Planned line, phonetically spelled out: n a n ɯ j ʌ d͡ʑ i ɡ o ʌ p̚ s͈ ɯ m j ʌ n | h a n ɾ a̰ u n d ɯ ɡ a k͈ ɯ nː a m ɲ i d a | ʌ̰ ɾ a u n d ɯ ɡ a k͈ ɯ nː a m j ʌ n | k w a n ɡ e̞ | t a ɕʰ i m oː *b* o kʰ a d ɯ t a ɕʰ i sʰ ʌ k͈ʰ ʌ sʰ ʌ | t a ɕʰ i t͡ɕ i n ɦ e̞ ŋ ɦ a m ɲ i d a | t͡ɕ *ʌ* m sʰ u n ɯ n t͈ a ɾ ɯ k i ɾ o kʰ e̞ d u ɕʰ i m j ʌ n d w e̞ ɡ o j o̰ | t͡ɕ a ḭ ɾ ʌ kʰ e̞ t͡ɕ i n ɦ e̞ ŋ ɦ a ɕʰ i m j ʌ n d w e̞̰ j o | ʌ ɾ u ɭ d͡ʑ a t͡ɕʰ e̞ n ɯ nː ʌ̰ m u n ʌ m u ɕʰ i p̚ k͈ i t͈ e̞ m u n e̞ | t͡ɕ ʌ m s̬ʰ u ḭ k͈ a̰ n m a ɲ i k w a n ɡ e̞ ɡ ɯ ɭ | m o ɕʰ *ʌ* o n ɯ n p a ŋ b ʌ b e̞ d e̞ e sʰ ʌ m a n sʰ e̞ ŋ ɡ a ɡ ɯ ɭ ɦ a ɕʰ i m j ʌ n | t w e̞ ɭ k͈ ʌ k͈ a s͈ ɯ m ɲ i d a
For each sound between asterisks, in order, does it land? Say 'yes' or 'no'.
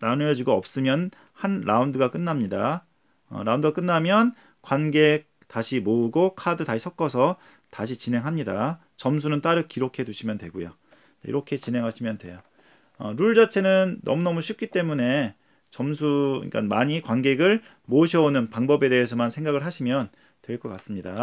no, yes, yes

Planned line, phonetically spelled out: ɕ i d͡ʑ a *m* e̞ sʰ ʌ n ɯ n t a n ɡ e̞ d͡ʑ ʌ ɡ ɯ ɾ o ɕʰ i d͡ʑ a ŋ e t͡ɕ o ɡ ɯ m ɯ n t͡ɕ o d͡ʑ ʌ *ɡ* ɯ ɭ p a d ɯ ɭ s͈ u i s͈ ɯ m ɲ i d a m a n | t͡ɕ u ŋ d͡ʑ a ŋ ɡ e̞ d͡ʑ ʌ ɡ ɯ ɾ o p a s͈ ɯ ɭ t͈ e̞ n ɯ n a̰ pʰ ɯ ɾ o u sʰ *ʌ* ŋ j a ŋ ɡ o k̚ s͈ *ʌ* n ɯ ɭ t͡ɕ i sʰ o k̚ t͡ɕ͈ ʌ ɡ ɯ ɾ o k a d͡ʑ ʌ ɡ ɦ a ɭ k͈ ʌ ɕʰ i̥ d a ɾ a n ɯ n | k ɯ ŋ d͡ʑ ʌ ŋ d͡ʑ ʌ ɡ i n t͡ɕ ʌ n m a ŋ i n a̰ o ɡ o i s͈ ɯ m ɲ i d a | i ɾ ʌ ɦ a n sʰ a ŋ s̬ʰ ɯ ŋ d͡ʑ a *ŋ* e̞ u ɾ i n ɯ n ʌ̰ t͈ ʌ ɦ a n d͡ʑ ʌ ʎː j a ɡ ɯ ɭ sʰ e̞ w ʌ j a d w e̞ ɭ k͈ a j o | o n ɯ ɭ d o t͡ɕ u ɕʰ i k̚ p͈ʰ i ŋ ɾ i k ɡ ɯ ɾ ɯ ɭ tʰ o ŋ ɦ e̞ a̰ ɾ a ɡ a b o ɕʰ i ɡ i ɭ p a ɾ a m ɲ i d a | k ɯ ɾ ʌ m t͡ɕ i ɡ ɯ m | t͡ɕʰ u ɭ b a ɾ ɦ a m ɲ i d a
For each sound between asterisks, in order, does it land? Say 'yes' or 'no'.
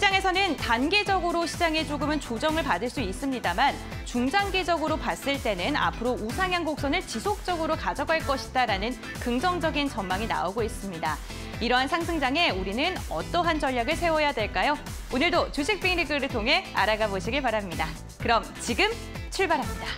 no, no, no, yes, yes

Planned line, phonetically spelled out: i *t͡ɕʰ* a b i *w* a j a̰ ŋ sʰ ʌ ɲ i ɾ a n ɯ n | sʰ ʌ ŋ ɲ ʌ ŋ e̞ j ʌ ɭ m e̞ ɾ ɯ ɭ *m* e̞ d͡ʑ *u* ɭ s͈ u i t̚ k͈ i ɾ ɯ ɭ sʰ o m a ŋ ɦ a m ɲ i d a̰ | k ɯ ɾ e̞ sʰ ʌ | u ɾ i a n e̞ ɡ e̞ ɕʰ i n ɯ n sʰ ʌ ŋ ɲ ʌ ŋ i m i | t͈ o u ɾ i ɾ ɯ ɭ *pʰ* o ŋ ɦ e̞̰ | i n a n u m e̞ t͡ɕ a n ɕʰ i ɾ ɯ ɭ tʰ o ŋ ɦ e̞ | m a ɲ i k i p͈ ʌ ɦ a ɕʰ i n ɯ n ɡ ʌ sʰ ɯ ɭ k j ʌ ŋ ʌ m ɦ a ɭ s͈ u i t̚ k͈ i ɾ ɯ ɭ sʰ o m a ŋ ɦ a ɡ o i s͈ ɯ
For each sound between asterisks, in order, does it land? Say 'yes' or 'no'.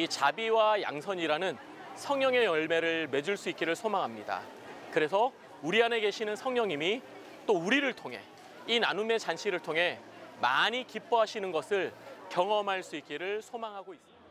no, yes, yes, yes, no

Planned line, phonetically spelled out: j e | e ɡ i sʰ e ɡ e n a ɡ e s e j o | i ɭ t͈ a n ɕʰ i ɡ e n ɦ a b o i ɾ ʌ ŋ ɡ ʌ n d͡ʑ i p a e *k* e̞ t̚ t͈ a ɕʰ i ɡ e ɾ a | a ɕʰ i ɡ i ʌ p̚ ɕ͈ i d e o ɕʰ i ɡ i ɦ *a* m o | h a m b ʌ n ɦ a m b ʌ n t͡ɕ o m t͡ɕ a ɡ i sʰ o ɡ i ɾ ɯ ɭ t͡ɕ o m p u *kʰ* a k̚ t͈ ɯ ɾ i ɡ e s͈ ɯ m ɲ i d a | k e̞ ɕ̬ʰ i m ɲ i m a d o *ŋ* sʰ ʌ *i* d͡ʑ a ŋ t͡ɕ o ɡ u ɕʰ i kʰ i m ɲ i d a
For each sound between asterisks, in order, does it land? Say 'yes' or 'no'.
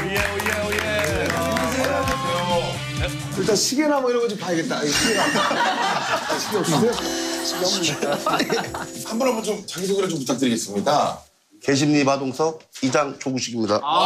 no, yes, no, yes, yes

